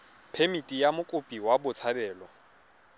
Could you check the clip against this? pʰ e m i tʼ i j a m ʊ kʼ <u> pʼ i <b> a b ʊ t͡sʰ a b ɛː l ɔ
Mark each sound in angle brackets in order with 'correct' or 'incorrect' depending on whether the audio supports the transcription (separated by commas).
incorrect, incorrect